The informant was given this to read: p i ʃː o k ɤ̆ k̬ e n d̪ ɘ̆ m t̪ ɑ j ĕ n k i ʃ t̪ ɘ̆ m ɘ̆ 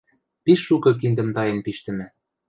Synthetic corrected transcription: p i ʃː u k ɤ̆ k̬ i n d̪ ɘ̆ m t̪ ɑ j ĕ n p i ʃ t̪ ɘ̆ m ɘ̆